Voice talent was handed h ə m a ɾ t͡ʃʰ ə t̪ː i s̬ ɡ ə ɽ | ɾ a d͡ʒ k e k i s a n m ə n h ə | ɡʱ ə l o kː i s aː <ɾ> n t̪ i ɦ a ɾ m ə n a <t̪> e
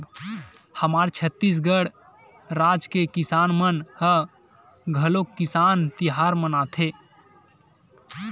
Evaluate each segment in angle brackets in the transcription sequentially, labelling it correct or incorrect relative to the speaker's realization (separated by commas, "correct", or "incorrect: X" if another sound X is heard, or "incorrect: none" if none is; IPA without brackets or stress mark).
incorrect: none, incorrect: t̪ʰ